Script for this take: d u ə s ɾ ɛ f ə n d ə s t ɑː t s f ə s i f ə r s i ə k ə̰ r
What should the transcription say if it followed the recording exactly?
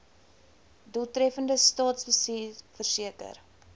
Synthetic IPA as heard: d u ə t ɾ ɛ f ə n d ə s t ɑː t s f ə s i f ə r s i ə k ə̰ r